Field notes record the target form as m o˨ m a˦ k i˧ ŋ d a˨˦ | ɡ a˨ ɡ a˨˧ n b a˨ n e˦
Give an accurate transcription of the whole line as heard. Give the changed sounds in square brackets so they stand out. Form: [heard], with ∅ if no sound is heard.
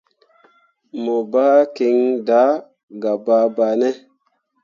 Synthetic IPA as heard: m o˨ [b] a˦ k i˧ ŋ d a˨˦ | ɡ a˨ [b] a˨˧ [∅] b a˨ n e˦